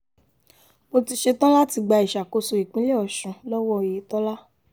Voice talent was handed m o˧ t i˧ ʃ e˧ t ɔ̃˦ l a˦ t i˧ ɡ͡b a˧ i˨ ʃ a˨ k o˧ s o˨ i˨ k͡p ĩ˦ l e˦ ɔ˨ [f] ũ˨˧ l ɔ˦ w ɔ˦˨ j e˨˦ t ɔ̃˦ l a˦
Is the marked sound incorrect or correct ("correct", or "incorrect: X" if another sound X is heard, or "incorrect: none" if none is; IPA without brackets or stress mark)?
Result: incorrect: ʃ